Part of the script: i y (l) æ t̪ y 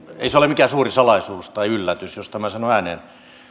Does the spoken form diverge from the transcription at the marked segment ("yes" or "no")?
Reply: yes